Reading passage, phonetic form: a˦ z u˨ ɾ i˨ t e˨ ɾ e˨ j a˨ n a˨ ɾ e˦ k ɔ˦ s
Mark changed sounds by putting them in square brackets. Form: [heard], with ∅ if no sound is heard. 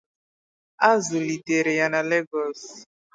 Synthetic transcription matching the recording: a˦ z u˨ [l] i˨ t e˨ ɾ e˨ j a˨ n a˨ [l] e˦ [ɡ] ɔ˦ s

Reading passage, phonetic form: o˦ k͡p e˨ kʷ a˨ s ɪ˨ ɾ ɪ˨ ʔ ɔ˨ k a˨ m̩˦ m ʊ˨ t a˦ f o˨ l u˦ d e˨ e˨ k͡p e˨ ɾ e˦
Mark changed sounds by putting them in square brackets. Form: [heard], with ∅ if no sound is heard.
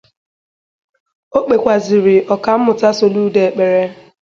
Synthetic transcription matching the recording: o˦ k͡p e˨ kʷ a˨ [z] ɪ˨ ɾ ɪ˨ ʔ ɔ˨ k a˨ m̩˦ m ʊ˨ t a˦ [s] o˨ l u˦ d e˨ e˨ k͡p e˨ ɾ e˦

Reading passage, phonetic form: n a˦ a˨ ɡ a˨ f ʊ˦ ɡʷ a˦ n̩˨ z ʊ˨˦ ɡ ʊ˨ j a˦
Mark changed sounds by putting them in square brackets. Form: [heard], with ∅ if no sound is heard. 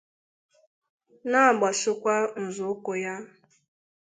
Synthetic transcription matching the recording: n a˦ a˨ [ɡ͡b] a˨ [s] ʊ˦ [kʷ] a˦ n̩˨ z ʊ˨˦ [k] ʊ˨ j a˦

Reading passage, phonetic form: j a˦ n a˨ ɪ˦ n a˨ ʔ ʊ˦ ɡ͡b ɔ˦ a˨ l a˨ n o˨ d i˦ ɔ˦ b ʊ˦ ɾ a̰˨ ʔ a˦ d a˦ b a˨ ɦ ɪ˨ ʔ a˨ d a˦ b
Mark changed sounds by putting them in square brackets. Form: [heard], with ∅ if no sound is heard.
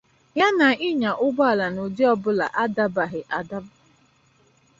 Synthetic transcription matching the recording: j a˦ n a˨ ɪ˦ [ɲ] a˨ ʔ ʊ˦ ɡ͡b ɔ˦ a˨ l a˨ n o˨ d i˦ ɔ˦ b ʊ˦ [l] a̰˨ ʔ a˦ d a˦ b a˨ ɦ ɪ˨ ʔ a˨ d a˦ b

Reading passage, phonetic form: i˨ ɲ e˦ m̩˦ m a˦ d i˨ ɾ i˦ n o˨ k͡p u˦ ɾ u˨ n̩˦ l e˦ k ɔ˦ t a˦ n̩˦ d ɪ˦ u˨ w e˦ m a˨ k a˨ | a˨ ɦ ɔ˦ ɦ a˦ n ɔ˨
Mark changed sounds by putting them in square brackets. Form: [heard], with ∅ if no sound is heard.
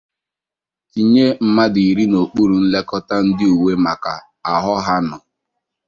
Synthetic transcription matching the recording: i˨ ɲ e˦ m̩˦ m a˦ d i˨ ɾ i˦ n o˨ k͡p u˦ ɾ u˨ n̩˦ l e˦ k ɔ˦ t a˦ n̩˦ d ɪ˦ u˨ w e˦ m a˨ k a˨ | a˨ ɦ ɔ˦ ɦ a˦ n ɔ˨

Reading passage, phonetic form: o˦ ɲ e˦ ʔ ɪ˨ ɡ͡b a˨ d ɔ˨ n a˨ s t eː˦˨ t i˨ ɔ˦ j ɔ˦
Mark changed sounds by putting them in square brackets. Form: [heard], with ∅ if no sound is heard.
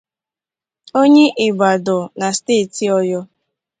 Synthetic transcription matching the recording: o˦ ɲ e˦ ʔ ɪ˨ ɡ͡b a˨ d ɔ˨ n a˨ s t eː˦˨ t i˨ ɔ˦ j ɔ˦

